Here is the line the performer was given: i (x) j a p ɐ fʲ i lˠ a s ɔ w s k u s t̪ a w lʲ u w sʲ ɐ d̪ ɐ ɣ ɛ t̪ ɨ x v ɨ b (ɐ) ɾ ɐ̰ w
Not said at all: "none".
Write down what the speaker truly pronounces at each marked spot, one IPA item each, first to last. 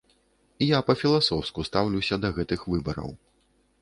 none, ɐ

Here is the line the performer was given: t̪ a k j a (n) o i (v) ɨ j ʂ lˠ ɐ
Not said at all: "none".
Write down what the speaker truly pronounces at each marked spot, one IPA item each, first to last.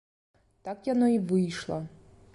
n, v

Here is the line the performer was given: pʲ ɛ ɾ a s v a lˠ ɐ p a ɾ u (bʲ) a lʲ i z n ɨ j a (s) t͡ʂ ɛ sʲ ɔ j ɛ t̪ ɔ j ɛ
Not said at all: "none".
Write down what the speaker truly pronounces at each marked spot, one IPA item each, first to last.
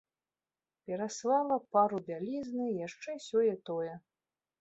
bʲ, ʂ

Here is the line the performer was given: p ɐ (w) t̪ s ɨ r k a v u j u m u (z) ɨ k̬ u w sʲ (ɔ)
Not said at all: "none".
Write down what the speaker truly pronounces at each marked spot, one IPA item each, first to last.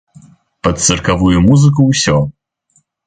none, z, ɔ

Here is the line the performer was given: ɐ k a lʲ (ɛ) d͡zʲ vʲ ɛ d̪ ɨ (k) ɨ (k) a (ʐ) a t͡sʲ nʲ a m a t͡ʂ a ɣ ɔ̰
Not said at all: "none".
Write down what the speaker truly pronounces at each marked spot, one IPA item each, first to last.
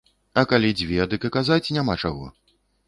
i, k, k, z

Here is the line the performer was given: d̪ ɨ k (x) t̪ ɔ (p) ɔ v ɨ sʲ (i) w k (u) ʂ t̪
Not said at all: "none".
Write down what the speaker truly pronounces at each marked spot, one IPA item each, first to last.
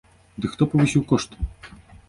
x, p, i, ɔ

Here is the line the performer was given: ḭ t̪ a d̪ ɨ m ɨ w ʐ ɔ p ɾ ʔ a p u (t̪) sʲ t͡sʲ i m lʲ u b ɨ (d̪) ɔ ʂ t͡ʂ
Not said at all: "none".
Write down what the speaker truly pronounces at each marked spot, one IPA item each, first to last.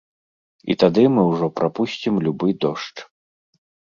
none, d̪

